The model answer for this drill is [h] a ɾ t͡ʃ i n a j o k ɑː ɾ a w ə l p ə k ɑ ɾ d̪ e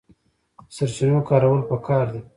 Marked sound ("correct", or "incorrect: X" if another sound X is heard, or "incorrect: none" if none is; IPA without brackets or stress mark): incorrect: s